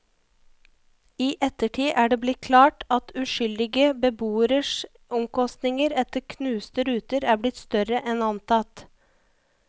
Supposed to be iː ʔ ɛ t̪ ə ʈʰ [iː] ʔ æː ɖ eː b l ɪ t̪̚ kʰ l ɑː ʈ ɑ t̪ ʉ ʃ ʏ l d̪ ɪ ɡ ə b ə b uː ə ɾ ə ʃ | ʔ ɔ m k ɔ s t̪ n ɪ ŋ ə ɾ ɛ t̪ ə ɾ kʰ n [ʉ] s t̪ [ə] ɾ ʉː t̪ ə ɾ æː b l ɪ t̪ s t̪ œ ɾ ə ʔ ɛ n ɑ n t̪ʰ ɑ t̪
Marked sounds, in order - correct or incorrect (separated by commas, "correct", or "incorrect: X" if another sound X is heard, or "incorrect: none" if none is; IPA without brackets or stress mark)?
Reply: correct, incorrect: ʉː, correct